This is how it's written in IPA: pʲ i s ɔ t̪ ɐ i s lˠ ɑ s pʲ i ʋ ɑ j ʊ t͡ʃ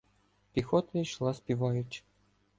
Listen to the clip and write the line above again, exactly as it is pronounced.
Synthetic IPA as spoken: pʲ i x ɔ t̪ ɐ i ʃ lˠ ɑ s pʲ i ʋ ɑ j ʊ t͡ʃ